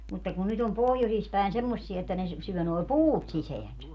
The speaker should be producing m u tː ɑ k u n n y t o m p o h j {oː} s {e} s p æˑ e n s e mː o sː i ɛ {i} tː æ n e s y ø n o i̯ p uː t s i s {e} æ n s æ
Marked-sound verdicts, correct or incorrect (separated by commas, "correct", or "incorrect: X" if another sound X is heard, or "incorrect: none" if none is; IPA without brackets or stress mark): incorrect: o, incorrect: i, incorrect: e, correct